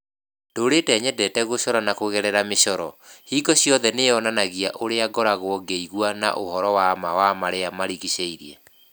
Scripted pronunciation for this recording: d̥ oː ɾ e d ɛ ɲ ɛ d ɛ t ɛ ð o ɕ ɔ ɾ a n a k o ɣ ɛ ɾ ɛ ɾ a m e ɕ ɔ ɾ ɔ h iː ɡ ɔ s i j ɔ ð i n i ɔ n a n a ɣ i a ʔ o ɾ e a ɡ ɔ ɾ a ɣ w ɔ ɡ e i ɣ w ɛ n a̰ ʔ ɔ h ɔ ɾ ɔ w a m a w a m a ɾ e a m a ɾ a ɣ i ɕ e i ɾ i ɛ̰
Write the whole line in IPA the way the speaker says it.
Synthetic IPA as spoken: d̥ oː ɾ e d ɛ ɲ ɛ d ɛ t ɛ ɣ o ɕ ɔ ɾ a n a k o ɣ ɛ ɾ ɛ ɾ a m e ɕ ɔ ɾ ɔ h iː ɡ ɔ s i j ɔ ð ɛ n e ɔ n a n a ɣ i a ʔ o ɾ e a ɡ ɔ ɾ a ɣ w ɔ ɡ e i ɣ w a n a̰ ʔ o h ɔ ɾ ɔ w a m a w a m a ɾ e a m a ɾ i ɣ i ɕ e i ɾ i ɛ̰